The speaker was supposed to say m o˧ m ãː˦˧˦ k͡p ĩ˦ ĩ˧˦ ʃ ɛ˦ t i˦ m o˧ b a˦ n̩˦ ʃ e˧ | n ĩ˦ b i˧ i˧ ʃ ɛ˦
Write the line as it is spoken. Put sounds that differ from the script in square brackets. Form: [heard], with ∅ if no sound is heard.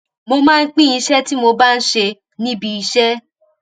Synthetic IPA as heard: m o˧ m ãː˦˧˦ k͡p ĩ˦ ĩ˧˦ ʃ ɛ˦ t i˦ m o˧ b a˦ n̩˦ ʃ e˧ | n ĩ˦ b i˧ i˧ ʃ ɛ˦